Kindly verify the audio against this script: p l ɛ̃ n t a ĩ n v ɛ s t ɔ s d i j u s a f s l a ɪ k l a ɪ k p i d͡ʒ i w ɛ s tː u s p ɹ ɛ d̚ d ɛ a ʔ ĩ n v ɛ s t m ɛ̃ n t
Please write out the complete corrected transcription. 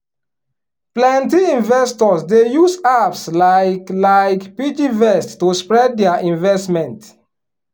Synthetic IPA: p l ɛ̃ n t i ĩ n v ɛ s t ɔ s d e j u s a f s l a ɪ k l a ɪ k p i d͡ʒ i v ɛ s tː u s p ɹ ɛ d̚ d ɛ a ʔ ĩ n v ɛ s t m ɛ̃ n t